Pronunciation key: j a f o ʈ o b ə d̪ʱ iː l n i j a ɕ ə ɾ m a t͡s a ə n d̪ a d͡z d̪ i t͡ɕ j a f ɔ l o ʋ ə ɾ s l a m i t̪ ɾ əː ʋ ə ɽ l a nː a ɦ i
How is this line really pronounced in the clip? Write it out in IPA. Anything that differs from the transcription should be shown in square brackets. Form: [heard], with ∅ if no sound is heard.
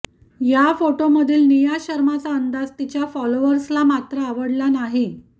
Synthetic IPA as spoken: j a f o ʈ o [m] ə d̪ʱ iː l n i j a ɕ ə ɾ m a t͡s a ə n d̪ a d͡z [t̪] i t͡ɕ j a f ɔ l o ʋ ə ɾ s l a m [a] t̪ ɾ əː ʋ ə ɽ l a [n] a ɦ i